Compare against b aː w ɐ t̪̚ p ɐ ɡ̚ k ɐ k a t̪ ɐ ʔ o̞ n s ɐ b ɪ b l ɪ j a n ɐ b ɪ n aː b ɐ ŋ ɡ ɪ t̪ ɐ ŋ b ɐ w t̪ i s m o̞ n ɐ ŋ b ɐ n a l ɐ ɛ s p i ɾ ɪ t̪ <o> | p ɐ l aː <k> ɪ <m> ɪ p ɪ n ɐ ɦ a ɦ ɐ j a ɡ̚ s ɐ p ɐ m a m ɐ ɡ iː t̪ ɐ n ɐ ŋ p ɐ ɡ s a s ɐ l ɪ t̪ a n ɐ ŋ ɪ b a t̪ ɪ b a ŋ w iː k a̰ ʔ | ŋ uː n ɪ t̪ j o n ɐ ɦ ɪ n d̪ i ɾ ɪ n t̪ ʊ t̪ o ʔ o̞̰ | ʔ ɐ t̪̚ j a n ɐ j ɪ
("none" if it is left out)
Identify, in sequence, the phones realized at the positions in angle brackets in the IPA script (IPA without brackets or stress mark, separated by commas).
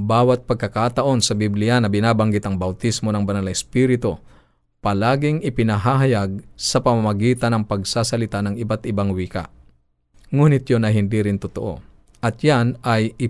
o, ɡ, ŋ